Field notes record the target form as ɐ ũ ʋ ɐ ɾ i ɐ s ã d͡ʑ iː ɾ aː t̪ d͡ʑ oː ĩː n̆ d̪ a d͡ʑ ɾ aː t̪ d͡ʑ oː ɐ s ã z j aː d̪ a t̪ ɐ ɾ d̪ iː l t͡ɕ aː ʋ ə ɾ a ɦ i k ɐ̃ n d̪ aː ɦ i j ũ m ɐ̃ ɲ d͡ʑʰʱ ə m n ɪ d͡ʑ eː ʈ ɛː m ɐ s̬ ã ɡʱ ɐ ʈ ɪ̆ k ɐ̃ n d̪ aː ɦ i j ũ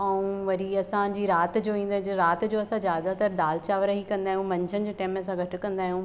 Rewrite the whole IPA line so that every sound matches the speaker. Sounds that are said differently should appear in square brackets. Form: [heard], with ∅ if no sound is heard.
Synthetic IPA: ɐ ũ ʋ ɐ ɾ i ɐ s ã d͡ʑ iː ɾ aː t̪ d͡ʑ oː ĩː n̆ d̪ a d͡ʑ ɾ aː t̪ d͡ʑ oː ɐ s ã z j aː d̪ a t̪ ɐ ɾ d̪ [aː] l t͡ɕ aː ʋ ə ɾ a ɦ i k ɐ̃ n d̪ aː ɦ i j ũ m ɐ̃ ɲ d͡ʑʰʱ ə [∅] n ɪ d͡ʑ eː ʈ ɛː m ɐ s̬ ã ɡʱ ɐ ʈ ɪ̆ k ɐ̃ n d̪ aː ɦ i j ũ

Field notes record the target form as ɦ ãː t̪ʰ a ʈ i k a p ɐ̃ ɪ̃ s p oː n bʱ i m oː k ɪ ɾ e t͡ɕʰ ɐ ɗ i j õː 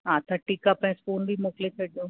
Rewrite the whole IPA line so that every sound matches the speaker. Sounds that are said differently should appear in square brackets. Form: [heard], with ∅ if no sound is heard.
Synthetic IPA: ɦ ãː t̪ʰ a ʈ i k a p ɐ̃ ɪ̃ s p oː n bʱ i m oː k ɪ [l] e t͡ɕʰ ɐ ɗ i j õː

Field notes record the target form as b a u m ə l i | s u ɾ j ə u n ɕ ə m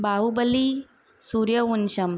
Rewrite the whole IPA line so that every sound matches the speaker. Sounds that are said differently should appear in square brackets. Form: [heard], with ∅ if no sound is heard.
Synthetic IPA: b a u [b] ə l i | s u ɾ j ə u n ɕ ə m

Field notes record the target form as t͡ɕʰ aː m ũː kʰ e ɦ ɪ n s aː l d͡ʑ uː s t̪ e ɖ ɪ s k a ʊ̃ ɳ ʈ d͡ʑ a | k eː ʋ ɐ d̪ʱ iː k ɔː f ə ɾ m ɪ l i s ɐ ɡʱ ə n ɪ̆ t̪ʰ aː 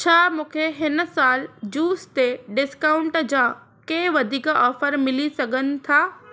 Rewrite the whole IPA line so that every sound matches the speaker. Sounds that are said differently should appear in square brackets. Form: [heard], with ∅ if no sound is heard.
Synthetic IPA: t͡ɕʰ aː m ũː kʰ e ɦ ɪ n s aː l d͡ʑ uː s t̪ e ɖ ɪ s k a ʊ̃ ɳ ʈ d͡ʑ a | k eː ʋ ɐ d̪ʱ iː k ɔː f ə ɾ m ɪ l i s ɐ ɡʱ ə n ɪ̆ t̪ʰ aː

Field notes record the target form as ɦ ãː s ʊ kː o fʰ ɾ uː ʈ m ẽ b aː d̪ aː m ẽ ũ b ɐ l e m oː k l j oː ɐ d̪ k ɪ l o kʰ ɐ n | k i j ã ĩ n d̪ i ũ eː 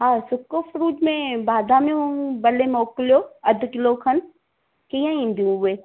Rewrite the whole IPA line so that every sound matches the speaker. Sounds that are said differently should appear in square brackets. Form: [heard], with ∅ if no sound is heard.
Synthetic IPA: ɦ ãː s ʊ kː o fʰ ɾ uː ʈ m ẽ b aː d̪ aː m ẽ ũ b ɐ l e m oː k l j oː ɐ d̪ k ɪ l o kʰ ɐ n | k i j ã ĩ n d̪ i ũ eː

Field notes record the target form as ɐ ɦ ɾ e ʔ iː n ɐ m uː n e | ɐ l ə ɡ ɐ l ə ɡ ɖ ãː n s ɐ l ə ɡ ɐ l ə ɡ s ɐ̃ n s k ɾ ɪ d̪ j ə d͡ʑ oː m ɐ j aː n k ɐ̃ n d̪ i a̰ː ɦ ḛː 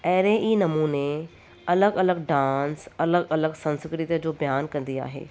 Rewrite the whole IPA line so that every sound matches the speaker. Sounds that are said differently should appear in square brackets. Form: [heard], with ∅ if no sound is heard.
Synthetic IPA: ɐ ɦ ɾ e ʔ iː n ɐ m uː n e | ɐ l ə ɡ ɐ l ə ɡ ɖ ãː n s ɐ l ə ɡ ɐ l ə ɡ s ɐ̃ n s k ɾ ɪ [t̪] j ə d͡ʑ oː [b] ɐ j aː n k ɐ̃ n d̪ i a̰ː ɦ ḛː

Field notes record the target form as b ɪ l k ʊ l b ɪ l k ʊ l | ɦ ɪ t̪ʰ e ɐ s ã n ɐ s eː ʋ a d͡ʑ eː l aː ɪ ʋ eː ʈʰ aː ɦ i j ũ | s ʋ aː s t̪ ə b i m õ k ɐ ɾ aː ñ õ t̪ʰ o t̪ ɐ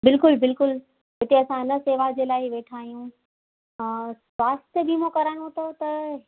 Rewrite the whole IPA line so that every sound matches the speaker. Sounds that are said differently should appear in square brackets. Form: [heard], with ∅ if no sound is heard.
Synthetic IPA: b ɪ l k ʊ l b ɪ l k ʊ l | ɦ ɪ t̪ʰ e ɐ s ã n ɐ s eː ʋ a d͡ʑ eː l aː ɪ ʋ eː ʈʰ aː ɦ i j ũ | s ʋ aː s t̪ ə b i m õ k ɐ ɾ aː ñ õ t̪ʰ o t̪ ɐ

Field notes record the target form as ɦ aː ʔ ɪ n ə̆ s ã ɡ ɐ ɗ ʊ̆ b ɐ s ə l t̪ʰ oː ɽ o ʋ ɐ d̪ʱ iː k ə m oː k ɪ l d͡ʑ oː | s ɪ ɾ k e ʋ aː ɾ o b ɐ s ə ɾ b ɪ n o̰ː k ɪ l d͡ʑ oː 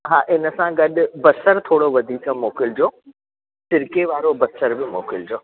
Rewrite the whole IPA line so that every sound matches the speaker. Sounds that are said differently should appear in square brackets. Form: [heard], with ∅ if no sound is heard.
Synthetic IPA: ɦ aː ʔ ɪ n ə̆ s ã ɡ ɐ ɗ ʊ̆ b ɐ s ə [ɾ] t̪ʰ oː ɽ o ʋ ɐ d̪ʱ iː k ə m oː k ɪ l d͡ʑ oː | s ɪ ɾ k e ʋ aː ɾ o b ɐ s ə ɾ b ɪ [m] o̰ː k ɪ l d͡ʑ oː

